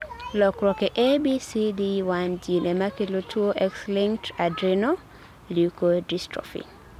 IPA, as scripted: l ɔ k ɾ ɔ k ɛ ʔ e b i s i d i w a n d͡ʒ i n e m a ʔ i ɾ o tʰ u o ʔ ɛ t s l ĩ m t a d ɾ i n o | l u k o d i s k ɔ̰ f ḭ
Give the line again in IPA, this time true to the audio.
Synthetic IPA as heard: l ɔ k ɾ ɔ k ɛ ʔ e b i s i d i w a n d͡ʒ i n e m a k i l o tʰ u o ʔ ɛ k s l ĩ ŋ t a d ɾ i n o | l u k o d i s t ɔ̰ f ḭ